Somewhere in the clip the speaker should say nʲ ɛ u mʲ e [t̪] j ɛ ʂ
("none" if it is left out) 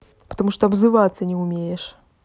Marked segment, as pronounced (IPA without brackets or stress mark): none